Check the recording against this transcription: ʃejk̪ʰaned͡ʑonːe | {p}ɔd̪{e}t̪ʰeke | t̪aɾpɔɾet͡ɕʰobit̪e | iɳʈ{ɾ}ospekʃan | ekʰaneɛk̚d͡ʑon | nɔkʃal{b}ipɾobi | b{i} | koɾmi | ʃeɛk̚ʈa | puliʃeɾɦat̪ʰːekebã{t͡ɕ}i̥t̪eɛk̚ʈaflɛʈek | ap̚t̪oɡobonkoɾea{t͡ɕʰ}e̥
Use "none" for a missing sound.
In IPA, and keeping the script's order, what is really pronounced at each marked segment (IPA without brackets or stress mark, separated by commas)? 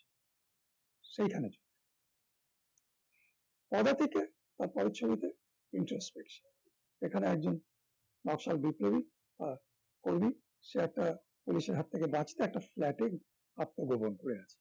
p, a, ɾ, b, a, t͡ɕ, t͡ɕʰ